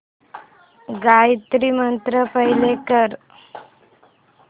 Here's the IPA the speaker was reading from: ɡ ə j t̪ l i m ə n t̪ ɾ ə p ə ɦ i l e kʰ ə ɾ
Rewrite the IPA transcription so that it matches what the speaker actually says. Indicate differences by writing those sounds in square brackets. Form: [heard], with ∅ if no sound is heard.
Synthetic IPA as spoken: ɡ [a] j t̪ [ɾ] i m ə n t̪ ɾ ə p ə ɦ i l e [k] ə ɾ